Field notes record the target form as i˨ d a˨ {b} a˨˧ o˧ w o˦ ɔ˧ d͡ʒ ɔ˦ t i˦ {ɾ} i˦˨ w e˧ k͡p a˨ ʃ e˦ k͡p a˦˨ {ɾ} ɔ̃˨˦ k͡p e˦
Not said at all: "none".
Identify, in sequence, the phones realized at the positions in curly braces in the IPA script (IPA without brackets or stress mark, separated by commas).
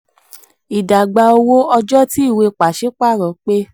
ɡ͡b, none, ɾ